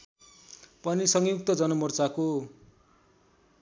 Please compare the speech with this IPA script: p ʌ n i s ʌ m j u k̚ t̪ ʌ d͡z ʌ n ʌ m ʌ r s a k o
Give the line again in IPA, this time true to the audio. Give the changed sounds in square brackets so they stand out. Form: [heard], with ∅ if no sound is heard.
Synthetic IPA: p ʌ n i s ʌ [ŋ] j u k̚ t̪ ʌ d͡z ʌ n ʌ m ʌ r [t͡s] a k o